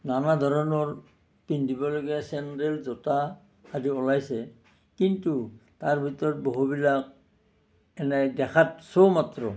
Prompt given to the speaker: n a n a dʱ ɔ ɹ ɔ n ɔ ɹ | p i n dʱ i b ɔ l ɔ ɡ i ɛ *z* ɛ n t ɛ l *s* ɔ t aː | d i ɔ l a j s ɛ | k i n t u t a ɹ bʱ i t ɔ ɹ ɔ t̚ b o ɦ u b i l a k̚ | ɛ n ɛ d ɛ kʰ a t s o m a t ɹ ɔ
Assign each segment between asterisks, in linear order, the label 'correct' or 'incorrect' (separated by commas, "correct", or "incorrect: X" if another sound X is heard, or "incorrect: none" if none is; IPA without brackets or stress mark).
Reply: incorrect: s, incorrect: z